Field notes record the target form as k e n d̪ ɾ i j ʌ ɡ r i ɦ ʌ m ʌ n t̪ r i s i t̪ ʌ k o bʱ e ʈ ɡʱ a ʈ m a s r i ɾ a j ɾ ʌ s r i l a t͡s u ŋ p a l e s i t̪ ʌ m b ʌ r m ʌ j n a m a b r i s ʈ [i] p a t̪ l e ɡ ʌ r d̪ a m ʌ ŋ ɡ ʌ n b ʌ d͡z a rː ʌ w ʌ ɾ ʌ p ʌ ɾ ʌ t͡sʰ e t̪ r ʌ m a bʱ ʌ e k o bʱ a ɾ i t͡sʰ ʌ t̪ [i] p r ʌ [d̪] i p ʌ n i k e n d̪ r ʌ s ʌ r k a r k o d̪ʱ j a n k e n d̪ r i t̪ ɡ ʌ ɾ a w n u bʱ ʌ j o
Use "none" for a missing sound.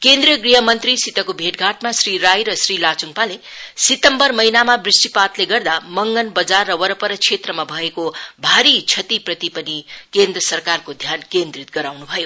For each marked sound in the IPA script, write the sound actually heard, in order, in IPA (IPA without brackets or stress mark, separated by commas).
i, i, t̪